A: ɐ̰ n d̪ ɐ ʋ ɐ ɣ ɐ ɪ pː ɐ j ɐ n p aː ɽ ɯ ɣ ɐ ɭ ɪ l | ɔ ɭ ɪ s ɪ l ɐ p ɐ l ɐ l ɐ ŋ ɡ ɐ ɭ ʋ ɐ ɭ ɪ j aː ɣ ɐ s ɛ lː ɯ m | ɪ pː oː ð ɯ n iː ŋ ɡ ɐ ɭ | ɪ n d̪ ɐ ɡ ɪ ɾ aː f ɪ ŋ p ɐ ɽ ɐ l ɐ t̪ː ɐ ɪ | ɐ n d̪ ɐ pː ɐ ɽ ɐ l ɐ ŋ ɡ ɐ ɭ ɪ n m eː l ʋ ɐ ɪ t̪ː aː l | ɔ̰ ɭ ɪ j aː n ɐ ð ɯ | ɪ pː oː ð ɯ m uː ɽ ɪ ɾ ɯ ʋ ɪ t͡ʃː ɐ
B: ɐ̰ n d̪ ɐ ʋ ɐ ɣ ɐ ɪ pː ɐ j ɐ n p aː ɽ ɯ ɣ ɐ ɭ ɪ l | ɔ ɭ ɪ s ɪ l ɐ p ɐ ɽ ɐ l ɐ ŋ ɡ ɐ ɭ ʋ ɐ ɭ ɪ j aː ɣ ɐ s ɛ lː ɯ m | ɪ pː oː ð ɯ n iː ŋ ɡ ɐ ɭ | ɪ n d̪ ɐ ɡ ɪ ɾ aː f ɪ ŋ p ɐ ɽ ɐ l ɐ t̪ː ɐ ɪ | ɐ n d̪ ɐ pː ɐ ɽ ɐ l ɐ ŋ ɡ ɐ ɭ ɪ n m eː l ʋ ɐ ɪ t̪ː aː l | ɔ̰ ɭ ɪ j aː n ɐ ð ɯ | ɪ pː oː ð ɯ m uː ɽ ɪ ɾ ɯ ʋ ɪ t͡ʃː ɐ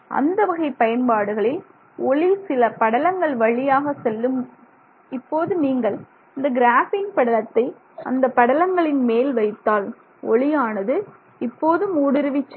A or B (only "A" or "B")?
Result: B